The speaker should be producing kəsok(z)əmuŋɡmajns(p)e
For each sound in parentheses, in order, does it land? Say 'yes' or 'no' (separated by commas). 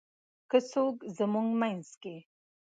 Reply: yes, no